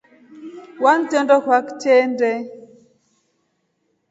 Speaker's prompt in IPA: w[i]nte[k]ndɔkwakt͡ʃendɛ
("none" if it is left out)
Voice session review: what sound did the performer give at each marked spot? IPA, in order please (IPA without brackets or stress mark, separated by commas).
a, none